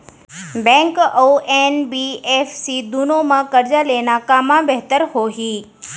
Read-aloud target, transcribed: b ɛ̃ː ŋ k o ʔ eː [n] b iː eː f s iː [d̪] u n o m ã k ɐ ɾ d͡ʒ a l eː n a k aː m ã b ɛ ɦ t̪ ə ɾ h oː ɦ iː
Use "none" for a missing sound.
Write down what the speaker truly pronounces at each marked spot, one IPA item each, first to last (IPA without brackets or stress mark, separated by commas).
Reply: n, d̪